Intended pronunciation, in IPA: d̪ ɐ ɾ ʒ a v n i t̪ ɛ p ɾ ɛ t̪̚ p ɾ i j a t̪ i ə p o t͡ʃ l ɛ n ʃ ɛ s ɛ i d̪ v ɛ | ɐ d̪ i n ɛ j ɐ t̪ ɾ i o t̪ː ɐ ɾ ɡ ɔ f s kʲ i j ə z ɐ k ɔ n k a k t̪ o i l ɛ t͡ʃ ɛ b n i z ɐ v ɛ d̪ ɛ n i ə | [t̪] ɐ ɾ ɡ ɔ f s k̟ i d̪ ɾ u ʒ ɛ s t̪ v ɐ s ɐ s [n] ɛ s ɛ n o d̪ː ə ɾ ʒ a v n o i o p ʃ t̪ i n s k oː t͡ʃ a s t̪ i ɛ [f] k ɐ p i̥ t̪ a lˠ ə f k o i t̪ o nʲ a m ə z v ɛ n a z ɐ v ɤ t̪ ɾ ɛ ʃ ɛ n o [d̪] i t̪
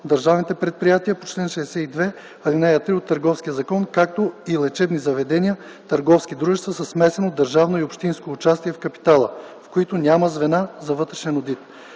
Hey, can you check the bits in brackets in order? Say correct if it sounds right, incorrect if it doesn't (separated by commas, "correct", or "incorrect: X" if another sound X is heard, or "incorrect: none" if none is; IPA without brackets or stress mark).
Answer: correct, incorrect: m, correct, correct